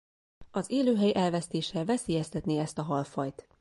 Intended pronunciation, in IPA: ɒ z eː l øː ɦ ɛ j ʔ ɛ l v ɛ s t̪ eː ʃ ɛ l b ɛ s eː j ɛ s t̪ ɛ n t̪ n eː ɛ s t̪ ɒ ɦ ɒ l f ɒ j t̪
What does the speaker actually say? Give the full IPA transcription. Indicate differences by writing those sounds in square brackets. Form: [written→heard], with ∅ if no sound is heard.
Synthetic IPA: ɒ z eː l øː ɦ ɛ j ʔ ɛ l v ɛ s t̪ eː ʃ ɛ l [b→v] ɛ s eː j ɛ s t̪ ɛ [n→∅] t̪ n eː ɛ s t̪ ɒ ɦ ɒ l f ɒ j t̪